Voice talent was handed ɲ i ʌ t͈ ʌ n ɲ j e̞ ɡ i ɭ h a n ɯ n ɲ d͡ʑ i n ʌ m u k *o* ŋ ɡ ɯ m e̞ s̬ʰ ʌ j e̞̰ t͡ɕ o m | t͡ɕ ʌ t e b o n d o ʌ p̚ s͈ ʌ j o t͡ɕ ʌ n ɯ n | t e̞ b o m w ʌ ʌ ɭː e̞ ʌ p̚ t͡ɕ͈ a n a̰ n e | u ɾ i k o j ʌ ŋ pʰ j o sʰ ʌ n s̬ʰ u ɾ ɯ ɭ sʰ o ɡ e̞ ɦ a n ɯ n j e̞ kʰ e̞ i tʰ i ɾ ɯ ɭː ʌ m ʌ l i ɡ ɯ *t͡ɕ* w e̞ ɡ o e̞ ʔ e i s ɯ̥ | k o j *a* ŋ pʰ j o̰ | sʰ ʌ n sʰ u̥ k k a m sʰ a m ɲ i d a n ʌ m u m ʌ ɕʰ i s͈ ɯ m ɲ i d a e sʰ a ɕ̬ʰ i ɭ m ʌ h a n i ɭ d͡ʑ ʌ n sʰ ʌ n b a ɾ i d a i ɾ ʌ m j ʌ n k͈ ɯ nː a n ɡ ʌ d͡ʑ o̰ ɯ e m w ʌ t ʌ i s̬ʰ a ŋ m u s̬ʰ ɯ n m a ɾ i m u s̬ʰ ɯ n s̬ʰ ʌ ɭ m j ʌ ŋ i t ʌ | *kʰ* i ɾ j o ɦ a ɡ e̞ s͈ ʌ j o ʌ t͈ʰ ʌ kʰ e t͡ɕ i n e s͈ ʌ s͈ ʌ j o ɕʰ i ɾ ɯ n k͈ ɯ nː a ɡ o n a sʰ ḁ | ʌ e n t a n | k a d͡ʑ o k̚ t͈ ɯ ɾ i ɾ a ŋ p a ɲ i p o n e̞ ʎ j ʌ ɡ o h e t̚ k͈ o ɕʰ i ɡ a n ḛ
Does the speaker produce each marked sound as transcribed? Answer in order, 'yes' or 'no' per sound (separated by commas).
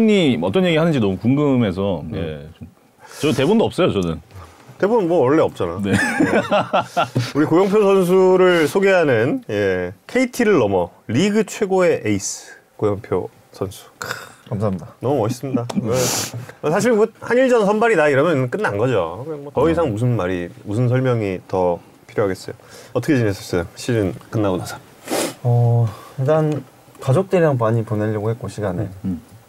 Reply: no, no, no, no